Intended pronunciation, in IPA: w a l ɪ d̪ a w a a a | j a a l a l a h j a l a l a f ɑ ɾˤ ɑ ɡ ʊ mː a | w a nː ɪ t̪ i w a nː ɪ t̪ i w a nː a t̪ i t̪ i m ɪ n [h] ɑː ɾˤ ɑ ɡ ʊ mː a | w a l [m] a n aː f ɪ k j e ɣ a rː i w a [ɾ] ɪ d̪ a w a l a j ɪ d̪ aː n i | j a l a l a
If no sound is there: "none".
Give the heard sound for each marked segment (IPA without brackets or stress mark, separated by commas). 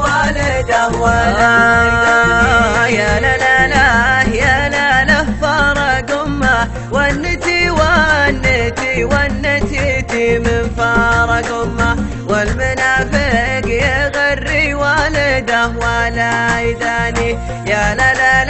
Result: f, m, l